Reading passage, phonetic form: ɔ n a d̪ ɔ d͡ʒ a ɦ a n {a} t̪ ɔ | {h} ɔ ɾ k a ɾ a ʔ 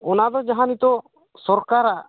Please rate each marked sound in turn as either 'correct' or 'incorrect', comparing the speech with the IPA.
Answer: incorrect: i, incorrect: s

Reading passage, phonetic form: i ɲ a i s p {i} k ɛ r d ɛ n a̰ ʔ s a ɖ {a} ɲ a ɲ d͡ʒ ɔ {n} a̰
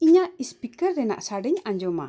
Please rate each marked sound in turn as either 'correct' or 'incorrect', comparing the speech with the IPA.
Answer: correct, incorrect: ɛ, incorrect: m

